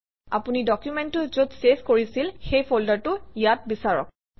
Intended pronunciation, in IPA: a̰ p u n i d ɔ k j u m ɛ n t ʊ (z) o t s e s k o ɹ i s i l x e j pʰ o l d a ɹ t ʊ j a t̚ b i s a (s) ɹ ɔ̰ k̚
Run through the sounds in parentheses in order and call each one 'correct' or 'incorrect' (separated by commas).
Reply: correct, incorrect